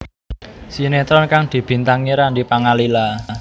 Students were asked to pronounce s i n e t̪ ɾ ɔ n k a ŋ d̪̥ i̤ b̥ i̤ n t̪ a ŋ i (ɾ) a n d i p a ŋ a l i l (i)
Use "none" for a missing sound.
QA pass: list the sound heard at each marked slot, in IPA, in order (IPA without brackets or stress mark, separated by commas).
ɾ, a